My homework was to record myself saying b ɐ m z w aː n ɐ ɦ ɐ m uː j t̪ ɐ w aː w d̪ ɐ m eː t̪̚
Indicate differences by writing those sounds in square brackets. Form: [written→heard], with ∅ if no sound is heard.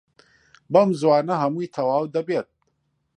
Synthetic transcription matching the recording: b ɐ m z w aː n ɐ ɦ ɐ m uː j [t̪→t̪ʰ] ɐ w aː w d̪ ɐ [m→b] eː t̪̚